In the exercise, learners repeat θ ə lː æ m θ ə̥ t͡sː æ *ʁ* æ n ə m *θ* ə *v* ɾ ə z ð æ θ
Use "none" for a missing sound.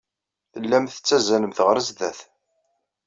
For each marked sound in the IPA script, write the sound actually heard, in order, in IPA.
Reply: z, θ, ʁ

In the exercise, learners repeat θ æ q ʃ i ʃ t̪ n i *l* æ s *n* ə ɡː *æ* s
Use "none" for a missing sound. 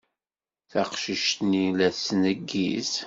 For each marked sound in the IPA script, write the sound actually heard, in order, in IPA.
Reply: l, n, i

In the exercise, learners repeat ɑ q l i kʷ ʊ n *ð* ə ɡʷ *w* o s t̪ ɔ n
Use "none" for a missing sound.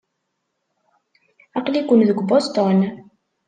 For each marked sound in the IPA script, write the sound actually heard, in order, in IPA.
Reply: ð, b

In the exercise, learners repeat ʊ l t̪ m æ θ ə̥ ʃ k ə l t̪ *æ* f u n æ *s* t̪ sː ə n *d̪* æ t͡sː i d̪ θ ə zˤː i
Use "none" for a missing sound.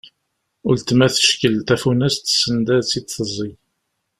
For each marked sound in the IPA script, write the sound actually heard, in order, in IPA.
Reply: æ, s, d̪

